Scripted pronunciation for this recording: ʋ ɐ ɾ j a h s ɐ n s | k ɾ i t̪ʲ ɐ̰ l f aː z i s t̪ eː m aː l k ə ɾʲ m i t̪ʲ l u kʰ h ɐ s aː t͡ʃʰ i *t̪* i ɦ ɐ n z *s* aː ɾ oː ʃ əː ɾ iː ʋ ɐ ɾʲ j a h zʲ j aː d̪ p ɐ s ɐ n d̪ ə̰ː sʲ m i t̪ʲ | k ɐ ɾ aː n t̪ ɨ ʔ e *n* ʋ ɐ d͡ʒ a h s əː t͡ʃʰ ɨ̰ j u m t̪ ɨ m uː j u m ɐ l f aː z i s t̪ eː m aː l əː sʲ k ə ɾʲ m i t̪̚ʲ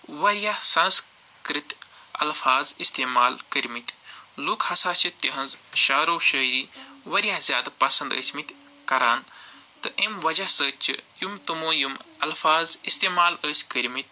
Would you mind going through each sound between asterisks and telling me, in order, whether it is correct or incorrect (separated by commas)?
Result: correct, incorrect, incorrect